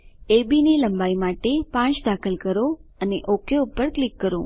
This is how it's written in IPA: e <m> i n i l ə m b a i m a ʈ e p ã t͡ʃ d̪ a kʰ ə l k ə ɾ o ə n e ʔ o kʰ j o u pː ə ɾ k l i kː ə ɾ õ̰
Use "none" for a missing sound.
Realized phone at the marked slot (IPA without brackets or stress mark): b